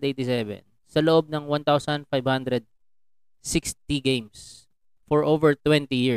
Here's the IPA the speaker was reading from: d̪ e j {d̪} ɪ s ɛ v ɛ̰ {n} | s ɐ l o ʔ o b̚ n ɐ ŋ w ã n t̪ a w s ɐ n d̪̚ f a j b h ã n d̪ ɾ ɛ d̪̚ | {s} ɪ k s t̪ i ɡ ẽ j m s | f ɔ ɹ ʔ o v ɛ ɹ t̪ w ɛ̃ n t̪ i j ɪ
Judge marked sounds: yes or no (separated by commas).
no, yes, yes